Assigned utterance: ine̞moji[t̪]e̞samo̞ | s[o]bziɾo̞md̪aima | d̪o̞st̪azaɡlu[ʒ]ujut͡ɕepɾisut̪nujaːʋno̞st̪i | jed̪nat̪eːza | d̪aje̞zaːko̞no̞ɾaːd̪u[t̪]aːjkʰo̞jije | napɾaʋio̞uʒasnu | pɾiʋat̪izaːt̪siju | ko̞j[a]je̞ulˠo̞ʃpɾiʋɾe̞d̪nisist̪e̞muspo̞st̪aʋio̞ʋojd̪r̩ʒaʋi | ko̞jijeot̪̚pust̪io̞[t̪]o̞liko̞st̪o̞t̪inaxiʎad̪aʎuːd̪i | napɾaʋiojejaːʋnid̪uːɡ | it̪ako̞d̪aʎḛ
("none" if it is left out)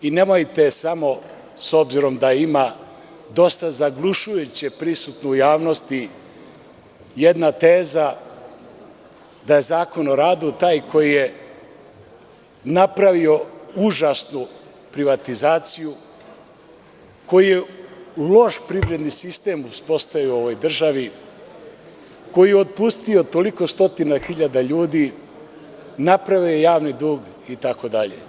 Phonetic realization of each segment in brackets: t̪, o, ʃ, t̪, i, t̪

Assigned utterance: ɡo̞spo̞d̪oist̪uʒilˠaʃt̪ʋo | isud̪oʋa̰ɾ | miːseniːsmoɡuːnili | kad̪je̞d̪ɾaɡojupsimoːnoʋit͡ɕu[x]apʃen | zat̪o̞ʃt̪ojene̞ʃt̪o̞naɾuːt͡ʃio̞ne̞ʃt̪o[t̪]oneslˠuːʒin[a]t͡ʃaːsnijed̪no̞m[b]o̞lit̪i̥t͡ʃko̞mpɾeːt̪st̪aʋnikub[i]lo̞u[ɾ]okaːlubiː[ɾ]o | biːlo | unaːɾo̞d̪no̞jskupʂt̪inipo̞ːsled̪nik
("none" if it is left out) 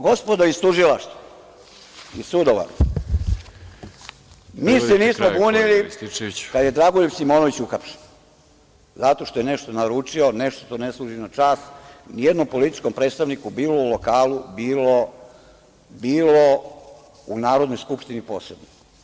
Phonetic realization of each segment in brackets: x, t̪, a, p, iː, l, l

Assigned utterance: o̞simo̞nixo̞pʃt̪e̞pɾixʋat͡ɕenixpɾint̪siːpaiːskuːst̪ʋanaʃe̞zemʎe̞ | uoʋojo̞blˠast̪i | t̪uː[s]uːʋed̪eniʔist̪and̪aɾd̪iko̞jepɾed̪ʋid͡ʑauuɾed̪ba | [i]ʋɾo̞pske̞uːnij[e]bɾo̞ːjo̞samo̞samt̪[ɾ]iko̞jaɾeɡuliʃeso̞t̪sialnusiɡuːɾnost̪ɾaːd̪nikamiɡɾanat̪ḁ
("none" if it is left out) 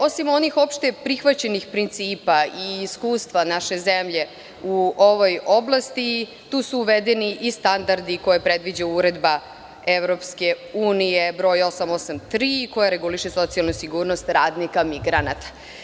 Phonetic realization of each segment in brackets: s, e, e, ɾ

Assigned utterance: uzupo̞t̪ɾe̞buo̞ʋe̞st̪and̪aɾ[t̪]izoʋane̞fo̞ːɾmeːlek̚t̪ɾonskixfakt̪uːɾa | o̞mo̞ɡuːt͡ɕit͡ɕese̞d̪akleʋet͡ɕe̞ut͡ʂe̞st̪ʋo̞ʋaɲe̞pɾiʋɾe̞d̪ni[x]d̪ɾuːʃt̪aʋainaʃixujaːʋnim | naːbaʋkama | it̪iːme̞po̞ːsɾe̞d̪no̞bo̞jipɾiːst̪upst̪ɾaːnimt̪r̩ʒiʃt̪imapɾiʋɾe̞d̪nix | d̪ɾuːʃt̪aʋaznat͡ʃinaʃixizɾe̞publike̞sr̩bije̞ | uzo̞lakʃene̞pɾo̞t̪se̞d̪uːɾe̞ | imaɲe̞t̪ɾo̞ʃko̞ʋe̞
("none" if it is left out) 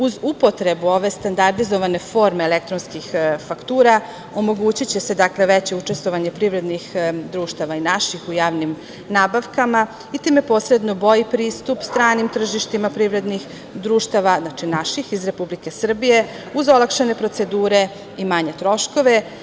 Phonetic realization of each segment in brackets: d̪, x

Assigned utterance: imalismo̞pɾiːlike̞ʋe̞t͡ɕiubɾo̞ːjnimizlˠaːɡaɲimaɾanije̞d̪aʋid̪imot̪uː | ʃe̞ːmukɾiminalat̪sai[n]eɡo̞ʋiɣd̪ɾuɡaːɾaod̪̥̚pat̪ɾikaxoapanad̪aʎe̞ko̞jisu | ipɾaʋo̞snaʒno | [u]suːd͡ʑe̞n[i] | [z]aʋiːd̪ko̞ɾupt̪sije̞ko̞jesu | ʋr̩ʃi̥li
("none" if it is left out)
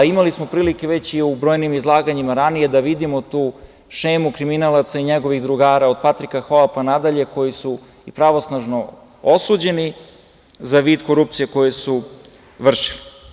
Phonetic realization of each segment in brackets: ɲ, o, i, z

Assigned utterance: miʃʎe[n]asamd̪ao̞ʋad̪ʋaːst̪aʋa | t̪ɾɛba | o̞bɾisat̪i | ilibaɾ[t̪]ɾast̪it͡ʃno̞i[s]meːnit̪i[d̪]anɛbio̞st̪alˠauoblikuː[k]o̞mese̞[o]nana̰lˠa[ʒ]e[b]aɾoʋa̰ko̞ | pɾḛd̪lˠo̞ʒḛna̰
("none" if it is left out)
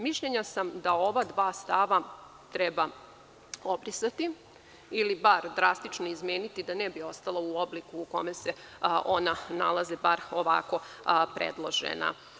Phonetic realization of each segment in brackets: ɲ, d̪, z, d̪, k, o, z, b

